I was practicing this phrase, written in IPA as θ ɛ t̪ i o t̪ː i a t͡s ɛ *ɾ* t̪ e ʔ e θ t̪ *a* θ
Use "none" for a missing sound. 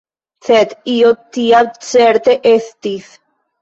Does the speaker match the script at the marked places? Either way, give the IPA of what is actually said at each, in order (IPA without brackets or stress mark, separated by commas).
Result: ɾ, i